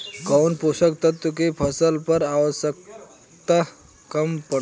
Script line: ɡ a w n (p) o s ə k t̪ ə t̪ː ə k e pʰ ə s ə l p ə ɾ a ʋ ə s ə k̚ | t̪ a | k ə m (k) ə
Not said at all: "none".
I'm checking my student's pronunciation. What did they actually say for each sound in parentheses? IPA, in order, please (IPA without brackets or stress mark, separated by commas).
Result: p, p